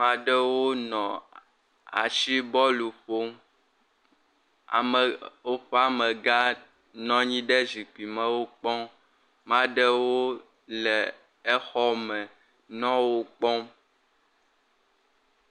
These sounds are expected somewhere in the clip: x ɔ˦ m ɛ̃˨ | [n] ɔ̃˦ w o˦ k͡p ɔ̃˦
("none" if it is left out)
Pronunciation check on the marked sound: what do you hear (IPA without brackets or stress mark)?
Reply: n